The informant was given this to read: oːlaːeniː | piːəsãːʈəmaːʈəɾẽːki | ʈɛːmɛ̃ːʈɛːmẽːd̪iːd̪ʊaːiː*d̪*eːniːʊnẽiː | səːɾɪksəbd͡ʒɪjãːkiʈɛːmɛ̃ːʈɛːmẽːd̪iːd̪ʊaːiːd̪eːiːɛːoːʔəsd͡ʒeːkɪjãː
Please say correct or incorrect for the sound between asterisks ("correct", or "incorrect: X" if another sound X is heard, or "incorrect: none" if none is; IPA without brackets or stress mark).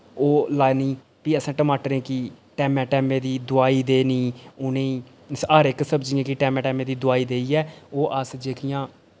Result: correct